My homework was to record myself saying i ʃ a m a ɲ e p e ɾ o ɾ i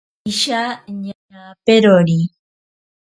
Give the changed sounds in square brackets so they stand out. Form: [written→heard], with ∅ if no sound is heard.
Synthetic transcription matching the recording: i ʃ a [m→ɲ] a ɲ [e→a] p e ɾ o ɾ i